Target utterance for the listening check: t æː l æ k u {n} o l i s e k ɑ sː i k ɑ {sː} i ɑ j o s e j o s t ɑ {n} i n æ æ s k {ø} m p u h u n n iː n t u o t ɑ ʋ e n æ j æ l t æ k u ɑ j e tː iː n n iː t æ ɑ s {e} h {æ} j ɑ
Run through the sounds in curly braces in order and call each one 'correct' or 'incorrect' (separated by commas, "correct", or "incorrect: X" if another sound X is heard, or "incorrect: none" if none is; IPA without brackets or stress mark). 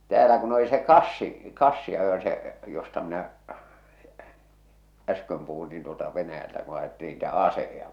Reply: correct, correct, incorrect: m, correct, correct, incorrect: e